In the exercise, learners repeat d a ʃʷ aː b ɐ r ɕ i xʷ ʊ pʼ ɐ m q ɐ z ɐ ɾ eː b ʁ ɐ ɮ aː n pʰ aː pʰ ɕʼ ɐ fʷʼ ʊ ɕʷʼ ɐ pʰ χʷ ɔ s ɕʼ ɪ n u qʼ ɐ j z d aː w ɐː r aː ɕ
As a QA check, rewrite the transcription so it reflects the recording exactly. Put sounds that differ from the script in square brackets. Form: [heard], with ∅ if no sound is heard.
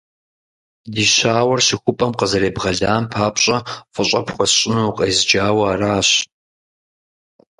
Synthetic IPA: d [i] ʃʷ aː [w] ɐ r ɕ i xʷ ʊ pʼ ɐ m q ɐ z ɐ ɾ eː b ʁ ɐ ɮ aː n pʰ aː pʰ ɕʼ ɐ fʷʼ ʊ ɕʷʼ ɐ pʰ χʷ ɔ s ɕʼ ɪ n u qʼ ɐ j z [d͡ʒ] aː w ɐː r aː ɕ

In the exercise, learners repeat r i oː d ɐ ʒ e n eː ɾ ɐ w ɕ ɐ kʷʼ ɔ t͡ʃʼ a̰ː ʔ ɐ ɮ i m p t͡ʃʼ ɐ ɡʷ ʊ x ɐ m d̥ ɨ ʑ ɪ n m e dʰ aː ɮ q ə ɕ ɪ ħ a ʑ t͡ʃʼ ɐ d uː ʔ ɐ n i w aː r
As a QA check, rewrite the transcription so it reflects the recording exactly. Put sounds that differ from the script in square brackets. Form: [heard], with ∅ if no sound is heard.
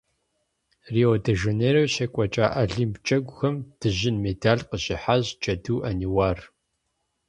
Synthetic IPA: r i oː d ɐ ʒ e n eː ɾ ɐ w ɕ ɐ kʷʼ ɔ t͡ʃʼ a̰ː ʔ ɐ ɮ i m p t͡ʃʼ ɐ ɡʷ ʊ x ɐ m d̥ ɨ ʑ ɪ n m e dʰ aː ɮ q ə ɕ ɪ ħ a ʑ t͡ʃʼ ɐ d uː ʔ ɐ n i w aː r

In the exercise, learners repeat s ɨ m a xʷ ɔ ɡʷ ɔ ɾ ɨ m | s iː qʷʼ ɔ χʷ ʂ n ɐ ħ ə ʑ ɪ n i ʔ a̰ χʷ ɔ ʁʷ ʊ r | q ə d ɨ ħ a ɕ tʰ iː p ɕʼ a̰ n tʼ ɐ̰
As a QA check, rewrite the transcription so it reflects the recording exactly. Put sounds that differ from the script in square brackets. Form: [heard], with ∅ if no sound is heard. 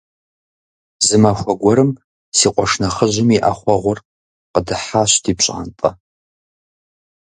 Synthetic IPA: [z] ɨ m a xʷ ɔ ɡʷ ɔ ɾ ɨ m | s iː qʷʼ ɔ [∅] ʂ n ɐ [χ] ə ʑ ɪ [m] i ʔ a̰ χʷ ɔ ʁʷ ʊ r | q ə d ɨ ħ a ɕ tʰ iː p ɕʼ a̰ n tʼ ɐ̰

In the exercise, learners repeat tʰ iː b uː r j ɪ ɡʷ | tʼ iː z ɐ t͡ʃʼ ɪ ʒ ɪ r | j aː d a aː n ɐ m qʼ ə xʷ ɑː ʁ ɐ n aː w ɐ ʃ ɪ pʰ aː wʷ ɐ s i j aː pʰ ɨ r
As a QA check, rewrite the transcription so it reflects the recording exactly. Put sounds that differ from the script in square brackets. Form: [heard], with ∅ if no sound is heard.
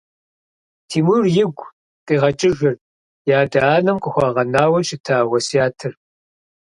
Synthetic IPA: tʰ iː [m] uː r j ɪ ɡʷ | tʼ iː [ʁ] ɐ t͡ʃʼ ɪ ʒ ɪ r | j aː d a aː n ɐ m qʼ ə xʷ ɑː ʁ ɐ n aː w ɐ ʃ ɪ [tʰ] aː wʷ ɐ s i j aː [tʰ] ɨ r

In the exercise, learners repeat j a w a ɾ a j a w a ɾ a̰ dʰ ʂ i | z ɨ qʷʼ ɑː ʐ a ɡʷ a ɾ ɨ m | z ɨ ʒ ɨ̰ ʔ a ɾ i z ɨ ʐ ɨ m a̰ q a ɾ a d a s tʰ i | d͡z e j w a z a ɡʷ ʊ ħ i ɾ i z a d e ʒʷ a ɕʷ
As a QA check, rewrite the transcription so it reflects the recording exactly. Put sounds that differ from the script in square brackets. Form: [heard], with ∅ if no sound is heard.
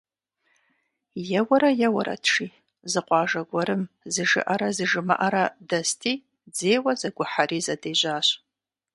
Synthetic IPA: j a w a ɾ a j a w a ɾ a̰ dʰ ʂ i | z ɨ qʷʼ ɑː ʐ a ɡʷ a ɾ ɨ m | z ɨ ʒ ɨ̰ ʔ a ɾ [a] z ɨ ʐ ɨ m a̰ [ʔ] a ɾ a d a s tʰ i | d͡z e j w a z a ɡʷ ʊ ħ [a] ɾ i z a d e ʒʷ a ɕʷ

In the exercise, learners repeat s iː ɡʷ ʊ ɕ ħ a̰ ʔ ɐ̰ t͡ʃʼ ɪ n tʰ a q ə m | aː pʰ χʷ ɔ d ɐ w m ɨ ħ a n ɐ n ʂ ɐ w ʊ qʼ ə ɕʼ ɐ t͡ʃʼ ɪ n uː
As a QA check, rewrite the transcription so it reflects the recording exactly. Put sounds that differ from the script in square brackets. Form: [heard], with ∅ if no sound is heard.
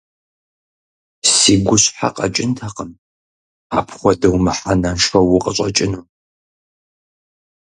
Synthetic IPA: s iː ɡʷ ʊ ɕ ħ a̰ [q] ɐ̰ t͡ʃʼ ɪ n tʰ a q ə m | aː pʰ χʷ ɔ d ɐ w m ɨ ħ a n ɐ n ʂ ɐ w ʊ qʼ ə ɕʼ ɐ t͡ʃʼ ɪ n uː

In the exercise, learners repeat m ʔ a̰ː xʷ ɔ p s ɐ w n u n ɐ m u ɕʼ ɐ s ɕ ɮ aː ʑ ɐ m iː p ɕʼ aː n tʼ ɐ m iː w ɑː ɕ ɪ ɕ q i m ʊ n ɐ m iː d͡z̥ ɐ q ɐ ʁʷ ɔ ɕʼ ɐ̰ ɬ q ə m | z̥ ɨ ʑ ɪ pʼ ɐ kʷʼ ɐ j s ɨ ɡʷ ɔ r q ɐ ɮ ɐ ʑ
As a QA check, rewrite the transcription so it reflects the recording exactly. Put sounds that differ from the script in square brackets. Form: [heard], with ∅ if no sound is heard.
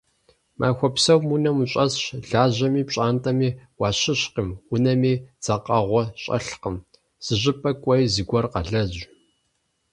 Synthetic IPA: m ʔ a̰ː xʷ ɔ p s ɐ w [m] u n ɐ m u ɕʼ ɐ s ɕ ɮ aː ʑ ɐ m iː p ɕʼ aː n tʼ ɐ m iː w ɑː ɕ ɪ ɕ q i m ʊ n ɐ m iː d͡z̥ ɐ q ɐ ʁʷ ɔ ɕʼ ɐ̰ ɬ q ə m | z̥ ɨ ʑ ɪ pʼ ɐ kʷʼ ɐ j [z] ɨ ɡʷ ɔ r q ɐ ɮ ɐ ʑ

